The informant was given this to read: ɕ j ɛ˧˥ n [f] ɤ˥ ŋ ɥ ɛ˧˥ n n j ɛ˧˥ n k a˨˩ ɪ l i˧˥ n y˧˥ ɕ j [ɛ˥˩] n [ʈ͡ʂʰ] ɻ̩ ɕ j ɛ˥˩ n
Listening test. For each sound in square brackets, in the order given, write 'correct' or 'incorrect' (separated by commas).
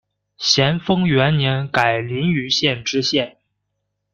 correct, correct, incorrect